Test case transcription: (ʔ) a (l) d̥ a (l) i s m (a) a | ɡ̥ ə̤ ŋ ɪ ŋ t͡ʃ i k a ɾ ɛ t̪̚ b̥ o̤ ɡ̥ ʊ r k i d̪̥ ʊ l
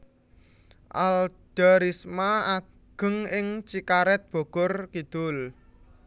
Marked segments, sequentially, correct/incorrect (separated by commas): correct, correct, incorrect, correct